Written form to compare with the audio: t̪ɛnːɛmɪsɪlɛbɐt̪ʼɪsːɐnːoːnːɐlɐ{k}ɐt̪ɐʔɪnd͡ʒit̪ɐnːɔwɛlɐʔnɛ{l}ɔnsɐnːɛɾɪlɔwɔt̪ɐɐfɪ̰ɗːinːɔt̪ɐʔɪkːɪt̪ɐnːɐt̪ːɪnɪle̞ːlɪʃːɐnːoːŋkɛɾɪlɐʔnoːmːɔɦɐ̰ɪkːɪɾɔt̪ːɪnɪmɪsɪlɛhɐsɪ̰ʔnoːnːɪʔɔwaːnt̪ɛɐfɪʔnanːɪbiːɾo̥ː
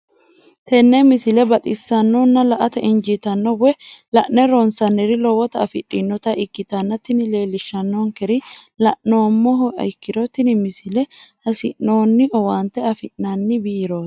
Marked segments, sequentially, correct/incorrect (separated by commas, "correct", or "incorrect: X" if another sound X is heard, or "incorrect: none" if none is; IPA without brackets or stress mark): incorrect: ʔ, incorrect: ɾ